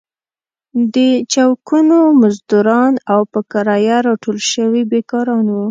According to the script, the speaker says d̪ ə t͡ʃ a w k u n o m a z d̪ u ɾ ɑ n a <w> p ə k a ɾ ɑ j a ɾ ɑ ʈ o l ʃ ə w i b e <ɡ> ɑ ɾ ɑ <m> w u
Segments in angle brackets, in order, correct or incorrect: correct, incorrect: k, incorrect: n

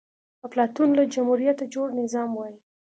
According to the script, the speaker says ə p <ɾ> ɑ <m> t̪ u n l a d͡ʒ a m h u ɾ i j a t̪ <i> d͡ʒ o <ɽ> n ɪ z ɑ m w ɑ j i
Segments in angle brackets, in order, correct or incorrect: incorrect: l, incorrect: none, incorrect: a, correct

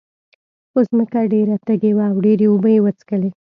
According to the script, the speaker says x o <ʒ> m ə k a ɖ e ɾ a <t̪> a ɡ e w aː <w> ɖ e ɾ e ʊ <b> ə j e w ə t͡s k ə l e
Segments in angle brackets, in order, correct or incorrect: incorrect: z, correct, correct, correct

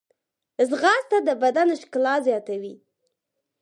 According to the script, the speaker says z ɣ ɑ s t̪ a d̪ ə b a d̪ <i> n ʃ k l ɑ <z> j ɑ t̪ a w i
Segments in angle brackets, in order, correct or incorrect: incorrect: a, correct

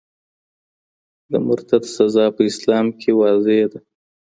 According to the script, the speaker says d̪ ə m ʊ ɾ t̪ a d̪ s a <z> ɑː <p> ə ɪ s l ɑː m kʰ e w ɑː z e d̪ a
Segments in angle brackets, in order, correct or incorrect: correct, correct

